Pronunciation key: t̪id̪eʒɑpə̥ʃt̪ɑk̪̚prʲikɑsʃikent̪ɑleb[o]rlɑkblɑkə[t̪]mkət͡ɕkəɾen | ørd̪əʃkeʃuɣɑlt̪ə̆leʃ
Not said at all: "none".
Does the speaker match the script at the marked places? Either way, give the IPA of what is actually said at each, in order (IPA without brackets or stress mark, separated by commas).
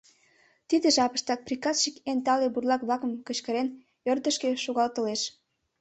u, none